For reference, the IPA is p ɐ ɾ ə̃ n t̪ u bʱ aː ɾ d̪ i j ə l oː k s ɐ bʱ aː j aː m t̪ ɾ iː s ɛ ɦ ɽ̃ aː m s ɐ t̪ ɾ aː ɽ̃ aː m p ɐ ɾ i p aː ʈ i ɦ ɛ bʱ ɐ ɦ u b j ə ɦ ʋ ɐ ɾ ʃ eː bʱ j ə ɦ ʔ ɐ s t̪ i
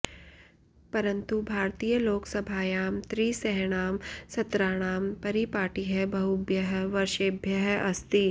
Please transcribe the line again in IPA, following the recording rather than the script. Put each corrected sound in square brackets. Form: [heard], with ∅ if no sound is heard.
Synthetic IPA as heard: p ɐ ɾ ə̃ n t̪ u bʱ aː ɾ [t̪] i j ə l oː k s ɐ bʱ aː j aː m t̪ ɾ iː s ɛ ɦ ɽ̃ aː m s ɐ t̪ ɾ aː ɽ̃ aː m p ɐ ɾ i p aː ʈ i ɦ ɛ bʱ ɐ ɦ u b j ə ɦ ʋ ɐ ɾ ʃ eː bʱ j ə ɦ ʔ ɐ s t̪ i